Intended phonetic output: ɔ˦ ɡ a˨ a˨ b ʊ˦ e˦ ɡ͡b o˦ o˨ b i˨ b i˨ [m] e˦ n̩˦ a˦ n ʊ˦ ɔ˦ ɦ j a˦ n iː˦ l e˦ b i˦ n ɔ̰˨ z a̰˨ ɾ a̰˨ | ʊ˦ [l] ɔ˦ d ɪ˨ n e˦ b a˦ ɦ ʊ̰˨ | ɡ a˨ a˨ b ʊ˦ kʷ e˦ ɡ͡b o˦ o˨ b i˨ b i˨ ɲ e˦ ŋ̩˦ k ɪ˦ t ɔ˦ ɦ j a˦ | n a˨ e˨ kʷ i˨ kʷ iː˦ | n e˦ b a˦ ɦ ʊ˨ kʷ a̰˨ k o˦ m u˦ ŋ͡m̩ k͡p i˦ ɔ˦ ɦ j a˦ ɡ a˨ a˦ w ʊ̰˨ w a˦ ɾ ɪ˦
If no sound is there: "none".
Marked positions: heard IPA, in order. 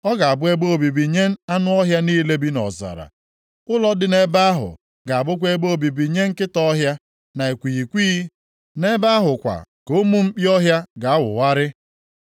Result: ɲ, l

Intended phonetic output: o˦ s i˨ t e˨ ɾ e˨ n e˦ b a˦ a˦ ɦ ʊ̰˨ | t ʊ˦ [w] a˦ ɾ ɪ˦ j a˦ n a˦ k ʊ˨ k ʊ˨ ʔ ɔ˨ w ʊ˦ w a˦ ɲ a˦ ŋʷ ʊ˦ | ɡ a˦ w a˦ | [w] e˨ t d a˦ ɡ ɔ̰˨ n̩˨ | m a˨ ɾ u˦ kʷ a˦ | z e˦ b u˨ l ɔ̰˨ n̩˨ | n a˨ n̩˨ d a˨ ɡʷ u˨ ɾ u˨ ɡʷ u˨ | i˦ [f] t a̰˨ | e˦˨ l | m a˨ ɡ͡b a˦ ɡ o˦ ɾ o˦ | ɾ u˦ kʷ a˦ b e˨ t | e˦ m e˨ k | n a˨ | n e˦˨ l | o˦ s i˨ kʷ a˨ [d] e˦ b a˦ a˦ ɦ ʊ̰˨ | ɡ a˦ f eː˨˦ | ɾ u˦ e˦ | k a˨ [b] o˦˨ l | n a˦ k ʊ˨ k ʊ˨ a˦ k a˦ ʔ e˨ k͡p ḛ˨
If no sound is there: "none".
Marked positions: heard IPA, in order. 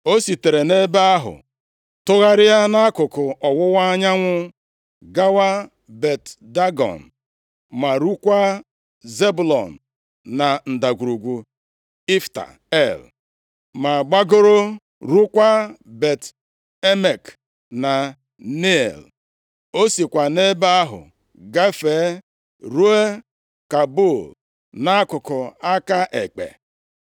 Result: ɣ, b, f, n, b

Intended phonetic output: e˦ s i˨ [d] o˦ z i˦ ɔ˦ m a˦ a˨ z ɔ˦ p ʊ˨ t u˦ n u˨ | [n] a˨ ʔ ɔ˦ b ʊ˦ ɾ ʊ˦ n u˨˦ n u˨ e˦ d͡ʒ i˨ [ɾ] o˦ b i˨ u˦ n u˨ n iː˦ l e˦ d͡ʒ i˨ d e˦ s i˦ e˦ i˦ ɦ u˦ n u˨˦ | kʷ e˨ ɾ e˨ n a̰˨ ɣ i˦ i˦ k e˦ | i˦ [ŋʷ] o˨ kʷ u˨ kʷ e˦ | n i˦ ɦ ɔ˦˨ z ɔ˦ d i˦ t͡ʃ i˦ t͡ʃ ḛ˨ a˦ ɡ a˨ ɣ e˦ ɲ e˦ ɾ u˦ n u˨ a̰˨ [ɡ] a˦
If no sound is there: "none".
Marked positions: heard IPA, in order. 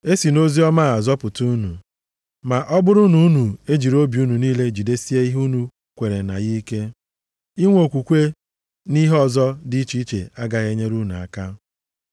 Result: n, m, ɾ, ŋʷ, k

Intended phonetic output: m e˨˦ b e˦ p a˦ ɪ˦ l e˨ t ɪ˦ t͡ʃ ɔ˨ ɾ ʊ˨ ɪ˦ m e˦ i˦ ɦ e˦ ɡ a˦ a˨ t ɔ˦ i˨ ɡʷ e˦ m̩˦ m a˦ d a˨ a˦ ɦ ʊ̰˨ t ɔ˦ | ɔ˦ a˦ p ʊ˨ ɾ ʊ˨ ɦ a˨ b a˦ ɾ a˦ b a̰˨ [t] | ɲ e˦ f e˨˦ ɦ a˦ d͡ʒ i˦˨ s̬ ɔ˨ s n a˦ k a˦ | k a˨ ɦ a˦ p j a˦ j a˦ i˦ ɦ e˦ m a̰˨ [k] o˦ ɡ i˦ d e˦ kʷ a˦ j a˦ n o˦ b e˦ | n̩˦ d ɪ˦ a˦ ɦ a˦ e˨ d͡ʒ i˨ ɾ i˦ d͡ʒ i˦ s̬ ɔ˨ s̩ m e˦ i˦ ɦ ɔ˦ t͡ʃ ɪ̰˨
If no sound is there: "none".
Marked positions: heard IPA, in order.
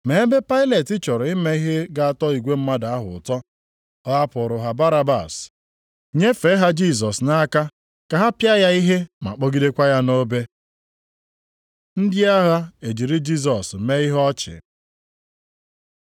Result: s, k͡p

